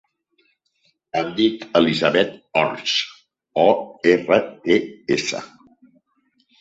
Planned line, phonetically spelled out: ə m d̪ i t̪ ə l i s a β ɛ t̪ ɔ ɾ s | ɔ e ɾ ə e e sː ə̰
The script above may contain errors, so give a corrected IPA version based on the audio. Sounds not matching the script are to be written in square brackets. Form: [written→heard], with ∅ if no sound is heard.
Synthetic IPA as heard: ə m d̪ i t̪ ə l i [s→z] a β ɛ t̪ ɔ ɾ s | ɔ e [ɾ→r] ə e e [sː→s] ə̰

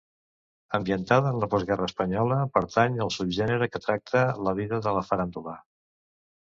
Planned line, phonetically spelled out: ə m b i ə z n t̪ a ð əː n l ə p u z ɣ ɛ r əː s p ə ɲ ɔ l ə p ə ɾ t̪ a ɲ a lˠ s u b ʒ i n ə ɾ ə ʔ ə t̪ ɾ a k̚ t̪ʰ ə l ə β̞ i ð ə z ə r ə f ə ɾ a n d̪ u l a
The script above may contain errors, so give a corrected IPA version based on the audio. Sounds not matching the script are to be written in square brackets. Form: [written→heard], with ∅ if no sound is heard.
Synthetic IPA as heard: ə m b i ə [z→∅] n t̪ a ð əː n l ə p [u→ɔ] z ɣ ɛ r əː s p ə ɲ ɔ l ə p ə ɾ t̪ a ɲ [a→ə] lˠ s u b ʒ [i→ɛ] n ə ɾ ə [ʔ→k] ə t̪ ɾ a k̚ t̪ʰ ə l ə β̞ i ð ə [z→ð] ə [r→l] ə f ə ɾ a n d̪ u l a

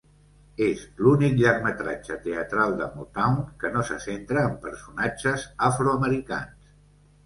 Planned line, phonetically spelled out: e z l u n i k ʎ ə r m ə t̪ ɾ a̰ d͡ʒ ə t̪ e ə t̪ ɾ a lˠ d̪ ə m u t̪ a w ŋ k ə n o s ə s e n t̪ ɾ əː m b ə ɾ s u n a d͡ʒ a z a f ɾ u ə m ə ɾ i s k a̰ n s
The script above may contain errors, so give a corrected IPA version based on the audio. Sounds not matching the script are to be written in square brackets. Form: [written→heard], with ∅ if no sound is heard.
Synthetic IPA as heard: e z l u n i k ʎ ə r m ə t̪ ɾ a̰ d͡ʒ ə t̪ e ə t̪ ɾ a lˠ d̪ ə m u t̪ a w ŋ k ə n o s ə s e n t̪ ɾ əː m [b→p] ə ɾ s u n a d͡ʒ [a→ə] z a f ɾ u ə m ə ɾ i [s→∅] k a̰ n s

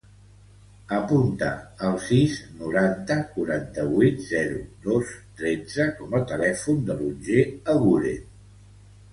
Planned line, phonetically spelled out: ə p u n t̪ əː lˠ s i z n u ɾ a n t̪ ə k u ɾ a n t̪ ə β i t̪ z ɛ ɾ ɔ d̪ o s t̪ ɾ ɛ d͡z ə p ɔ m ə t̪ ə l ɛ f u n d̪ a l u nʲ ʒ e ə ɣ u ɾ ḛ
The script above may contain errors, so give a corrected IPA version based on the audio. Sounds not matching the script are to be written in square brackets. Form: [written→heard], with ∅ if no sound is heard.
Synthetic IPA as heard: ə p u n t̪ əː lˠ s i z n u ɾ a n t̪ ə k u ɾ a n t̪ ə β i t̪ z ɛ ɾ [ɔ→u] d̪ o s t̪ ɾ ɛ d͡z ə [p→k] ɔ m ə t̪ ə l ɛ f u n d̪ [a→ə] l u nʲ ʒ e ə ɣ u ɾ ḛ

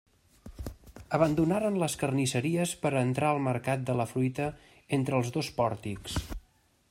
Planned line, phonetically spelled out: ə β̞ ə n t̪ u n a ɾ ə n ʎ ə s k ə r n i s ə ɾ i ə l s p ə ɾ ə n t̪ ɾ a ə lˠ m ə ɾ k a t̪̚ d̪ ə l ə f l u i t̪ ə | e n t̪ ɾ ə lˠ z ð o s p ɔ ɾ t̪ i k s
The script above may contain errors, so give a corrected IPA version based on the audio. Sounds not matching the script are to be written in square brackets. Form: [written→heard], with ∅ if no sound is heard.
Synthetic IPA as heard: ə β̞ ə n [t̪→d̪] u n a ɾ ə n [ʎ→l] ə s k ə r n i s ə ɾ i ə [l→∅] s p ə ɾ ə n t̪ ɾ a ə lˠ m ə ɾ k a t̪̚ d̪ ə l ə f [l→ɾ] u [i→j] t̪ ə | e n t̪ ɾ ə lˠ z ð o s p ɔ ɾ t̪ i k s

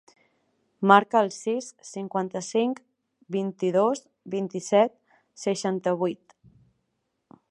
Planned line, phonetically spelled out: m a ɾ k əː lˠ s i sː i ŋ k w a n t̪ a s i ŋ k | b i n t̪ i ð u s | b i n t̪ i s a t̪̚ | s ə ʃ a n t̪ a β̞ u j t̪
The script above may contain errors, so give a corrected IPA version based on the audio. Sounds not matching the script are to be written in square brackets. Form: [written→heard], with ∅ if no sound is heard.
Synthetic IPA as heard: m a ɾ k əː lˠ s i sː i ŋ k w a n t̪ [a→ə] s i ŋ k | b i n t̪ i ð [u→o] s | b i n t̪ i s [a→ɛ] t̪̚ | s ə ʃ a n t̪ [a→ə] β̞ u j t̪

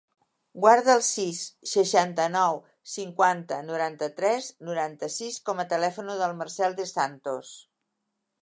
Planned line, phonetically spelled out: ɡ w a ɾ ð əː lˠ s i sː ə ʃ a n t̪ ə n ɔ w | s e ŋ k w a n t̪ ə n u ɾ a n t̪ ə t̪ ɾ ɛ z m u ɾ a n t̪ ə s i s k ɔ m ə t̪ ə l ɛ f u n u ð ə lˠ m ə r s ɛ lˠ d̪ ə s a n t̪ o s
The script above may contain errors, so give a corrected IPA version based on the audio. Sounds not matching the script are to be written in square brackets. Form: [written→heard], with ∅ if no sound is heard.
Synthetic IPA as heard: ɡ w a ɾ ð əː lˠ s i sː ə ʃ a n t̪ ə n ɔ w | s [e→i] ŋ k w a n t̪ ə n u ɾ a n t̪ ə t̪ ɾ ɛ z [m→n] u ɾ a n t̪ ə s i s k ɔ m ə t̪ ə l ɛ f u n u ð ə lˠ m ə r s ɛ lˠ d̪ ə s a n t̪ o s

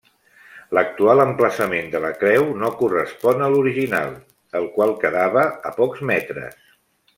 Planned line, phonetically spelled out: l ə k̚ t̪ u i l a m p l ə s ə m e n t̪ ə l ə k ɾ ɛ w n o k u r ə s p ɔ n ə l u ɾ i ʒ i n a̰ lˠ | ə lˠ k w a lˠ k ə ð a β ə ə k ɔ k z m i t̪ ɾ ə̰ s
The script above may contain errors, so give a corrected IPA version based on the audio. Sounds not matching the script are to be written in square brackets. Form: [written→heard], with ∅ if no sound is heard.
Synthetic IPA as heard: l ə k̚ t̪ u [i→a] l [a→ə] m p l ə s ə m e n [t̪→d̪] ə l ə k ɾ ɛ w n o k u r ə s p ɔ n ə l u ɾ i ʒ i n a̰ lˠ | ə lˠ k w a lˠ k ə ð a β ə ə [k→p] ɔ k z m [i→ɛ] t̪ ɾ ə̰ s

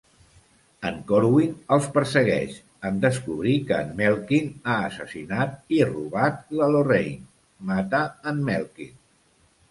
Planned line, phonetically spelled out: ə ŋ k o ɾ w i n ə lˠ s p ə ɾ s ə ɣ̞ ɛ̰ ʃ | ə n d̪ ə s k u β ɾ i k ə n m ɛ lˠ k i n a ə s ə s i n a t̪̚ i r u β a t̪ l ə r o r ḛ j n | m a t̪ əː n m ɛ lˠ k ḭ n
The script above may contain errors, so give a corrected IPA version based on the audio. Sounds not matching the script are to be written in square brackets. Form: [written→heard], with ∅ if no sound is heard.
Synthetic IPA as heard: ə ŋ k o ɾ w i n ə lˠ s p ə ɾ s ə ɣ̞ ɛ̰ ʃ | ə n d̪ ə s k u β ɾ i k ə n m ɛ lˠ k i n a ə s ə s i n a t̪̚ i r u β a t̪ l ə [r→l] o r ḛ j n | m a t̪ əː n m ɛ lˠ k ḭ n

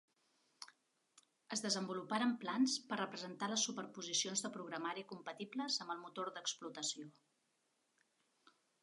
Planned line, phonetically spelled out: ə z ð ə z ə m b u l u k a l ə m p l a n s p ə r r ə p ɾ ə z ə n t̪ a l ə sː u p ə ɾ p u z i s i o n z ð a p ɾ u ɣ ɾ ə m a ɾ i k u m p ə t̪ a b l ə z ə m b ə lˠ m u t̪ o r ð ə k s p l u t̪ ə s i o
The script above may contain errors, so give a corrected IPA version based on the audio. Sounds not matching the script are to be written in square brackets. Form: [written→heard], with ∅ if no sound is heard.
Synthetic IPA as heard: ə z ð ə z ə m b u l u [k→p] a [l→ɾ] ə m p l a n s p ə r r ə p ɾ ə z ə n t̪ a l ə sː u p ə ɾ p u z i s i o n z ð [a→ə] p ɾ u ɣ ɾ ə m a ɾ i k u m p ə t̪ [a→i] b l ə z ə m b ə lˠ m u t̪ o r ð ə k s p l u t̪ ə s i o

